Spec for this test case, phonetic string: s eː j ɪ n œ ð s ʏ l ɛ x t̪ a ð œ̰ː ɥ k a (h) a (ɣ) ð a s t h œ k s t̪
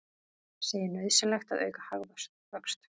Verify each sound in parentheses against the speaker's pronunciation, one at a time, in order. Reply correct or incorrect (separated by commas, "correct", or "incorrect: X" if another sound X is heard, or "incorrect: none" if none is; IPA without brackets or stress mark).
correct, correct